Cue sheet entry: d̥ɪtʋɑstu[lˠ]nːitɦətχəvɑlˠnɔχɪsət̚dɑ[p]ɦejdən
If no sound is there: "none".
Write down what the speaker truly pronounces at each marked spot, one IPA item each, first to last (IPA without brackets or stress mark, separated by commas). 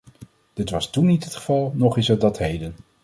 none, t